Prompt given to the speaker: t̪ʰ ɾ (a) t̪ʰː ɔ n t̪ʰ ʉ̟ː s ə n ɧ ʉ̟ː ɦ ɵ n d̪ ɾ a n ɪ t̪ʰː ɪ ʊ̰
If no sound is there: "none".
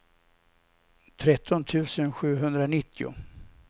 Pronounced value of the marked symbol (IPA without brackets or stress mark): ɛ